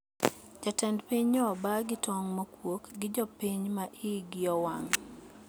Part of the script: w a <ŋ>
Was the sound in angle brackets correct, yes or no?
yes